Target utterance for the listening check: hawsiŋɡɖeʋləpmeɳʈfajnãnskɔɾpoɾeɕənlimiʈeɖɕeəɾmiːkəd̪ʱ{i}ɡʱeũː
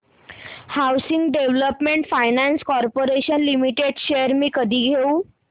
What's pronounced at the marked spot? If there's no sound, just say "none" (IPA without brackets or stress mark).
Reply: iː